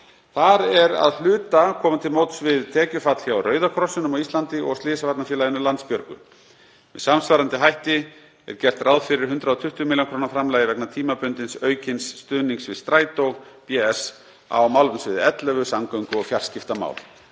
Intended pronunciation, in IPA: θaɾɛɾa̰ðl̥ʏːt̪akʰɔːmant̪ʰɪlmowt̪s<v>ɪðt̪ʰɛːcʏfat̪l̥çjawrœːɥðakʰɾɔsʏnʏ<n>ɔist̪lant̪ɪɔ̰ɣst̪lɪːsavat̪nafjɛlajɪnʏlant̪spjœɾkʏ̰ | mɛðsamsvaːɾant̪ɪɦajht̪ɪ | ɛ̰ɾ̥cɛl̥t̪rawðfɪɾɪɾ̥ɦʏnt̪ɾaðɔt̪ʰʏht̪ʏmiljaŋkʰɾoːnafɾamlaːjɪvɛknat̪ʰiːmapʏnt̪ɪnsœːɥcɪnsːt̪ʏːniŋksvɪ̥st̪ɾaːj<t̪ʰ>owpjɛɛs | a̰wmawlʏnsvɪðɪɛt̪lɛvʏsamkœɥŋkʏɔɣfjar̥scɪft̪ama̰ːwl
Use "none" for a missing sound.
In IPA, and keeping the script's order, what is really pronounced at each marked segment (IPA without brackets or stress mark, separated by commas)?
v, m, t̪